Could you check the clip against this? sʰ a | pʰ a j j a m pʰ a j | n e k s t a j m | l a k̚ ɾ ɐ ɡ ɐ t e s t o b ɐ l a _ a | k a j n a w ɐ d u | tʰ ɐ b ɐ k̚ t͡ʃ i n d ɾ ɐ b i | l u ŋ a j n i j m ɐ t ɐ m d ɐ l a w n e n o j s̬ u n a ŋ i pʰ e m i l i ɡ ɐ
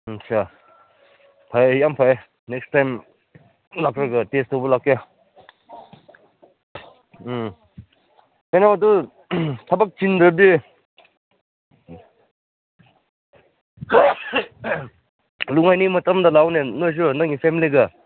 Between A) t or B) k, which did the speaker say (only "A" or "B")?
B